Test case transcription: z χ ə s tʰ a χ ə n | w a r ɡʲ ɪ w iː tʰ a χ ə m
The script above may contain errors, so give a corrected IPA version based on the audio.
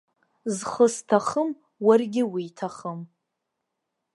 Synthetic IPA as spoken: z χ ə s tʰ a χ ə m | w a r ɡʲ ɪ w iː tʰ a χ ə m

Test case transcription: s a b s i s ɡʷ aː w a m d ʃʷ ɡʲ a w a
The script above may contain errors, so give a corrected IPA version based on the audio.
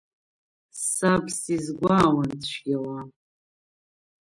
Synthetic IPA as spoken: s a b s i z ɡʷ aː w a n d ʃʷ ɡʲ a w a

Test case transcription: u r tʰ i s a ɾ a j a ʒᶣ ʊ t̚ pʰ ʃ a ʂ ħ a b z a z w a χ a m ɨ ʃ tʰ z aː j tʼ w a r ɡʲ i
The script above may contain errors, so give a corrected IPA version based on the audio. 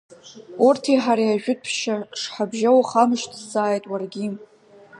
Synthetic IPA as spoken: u r tʰ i ħ a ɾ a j a ʒᶣ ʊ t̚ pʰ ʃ a ʂ ħ a b ʒ a w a χ a m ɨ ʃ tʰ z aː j tʼ w a r ɡʲ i

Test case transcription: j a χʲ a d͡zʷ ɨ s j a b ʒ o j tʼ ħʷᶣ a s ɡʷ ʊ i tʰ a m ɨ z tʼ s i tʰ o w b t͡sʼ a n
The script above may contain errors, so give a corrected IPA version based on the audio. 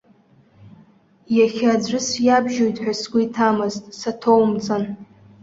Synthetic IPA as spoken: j a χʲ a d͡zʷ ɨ s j a b ʒ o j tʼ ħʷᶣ a s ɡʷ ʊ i tʰ a m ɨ z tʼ s a tʰ o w m t͡sʼ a n

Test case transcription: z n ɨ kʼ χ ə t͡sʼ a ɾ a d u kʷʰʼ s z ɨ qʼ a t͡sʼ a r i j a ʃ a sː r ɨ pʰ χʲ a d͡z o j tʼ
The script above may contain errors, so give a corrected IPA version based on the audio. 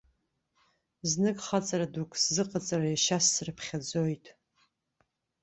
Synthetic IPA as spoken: z n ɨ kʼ χ a t͡sʼ a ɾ a d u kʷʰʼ s z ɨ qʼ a t͡sʼ a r a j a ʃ a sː r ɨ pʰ χʲ a d͡z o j tʼ

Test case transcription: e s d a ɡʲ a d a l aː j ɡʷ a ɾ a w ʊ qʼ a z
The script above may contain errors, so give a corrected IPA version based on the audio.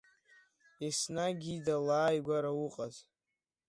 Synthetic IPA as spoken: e s n a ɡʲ i d a l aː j ɡʷ a ɾ a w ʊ qʼ a z

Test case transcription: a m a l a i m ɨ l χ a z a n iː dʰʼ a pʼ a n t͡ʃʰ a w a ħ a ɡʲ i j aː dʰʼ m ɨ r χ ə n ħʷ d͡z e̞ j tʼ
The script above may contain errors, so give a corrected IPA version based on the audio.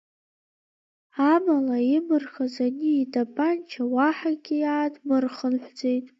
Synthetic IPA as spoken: a m a l a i m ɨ r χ a z a n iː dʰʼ a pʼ a n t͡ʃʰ a w a ħ a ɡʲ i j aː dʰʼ m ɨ r χ ə n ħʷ d͡z e̞ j tʼ

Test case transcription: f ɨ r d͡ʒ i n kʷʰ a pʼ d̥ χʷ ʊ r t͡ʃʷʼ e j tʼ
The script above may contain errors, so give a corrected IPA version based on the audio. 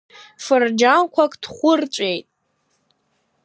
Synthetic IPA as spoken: f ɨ r d͡ʒ a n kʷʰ a kʼ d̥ χʷ ʊ r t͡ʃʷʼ e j tʼ

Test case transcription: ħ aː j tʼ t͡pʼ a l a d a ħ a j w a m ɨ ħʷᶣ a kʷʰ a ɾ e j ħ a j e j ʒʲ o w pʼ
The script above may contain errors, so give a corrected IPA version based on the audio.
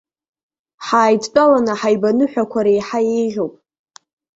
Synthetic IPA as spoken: ħ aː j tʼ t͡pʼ a l a n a ħ a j b a n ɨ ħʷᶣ a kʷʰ a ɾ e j ħ a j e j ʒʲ o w pʼ

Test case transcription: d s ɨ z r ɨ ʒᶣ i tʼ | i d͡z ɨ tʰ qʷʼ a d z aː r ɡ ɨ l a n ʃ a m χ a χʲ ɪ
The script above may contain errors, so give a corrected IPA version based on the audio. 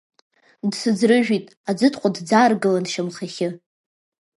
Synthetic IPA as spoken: d s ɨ d͡z r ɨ ʒᶣ i tʼ | a d͡z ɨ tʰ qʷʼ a d d͡z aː r ɡ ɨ l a n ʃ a m χ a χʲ ɪ

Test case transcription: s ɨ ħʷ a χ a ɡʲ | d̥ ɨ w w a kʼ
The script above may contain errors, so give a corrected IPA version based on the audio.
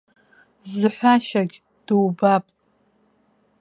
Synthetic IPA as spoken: z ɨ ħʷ a ʃ a ɡʲ | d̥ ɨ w b a pʼ

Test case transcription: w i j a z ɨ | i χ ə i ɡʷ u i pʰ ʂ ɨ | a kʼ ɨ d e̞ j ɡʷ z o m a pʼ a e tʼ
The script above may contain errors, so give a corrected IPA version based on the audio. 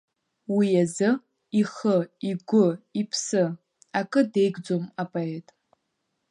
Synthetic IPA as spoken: w i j a z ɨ | i χ ə i ɡʷ ʊ i pʰ s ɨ | a kʼ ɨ d e̞ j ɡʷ d͡z o m a pʼ a e tʼ

